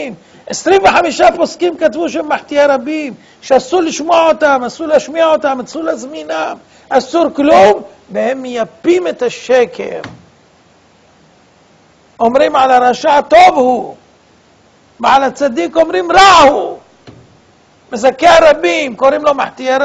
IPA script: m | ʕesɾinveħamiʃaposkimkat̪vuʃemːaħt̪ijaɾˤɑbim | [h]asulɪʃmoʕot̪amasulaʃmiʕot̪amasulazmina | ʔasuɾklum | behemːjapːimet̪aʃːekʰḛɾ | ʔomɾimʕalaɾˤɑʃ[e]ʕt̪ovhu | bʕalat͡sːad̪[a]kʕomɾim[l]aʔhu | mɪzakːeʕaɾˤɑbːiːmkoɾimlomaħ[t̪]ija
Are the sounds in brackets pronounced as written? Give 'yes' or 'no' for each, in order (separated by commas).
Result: no, no, no, no, yes